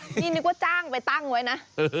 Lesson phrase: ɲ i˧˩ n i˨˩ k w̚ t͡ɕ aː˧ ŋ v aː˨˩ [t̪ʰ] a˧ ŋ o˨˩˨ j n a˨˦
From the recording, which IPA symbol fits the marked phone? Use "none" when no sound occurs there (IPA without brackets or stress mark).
t̪